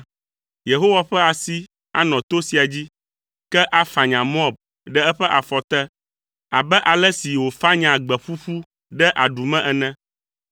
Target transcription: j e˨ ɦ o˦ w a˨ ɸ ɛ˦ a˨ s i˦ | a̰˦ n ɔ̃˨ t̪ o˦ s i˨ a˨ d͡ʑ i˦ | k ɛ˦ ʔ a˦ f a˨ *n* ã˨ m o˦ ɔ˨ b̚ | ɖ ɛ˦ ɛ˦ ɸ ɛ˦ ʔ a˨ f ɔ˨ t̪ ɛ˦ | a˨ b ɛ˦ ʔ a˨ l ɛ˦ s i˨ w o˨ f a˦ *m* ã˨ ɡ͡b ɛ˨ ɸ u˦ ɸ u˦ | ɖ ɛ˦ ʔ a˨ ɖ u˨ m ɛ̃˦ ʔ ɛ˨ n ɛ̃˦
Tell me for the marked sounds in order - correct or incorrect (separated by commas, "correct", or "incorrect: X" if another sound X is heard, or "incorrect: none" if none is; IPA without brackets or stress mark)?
incorrect: ɲ, incorrect: ɲ